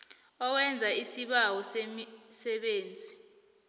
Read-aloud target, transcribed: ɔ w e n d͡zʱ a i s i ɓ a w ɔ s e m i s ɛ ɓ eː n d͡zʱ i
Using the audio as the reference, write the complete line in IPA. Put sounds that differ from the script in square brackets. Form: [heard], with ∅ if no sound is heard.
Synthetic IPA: ɔ w [ɛ] n d͡zʱ a i s i ɓ a w ɔ s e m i s ɛ ɓ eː n d͡zʱ i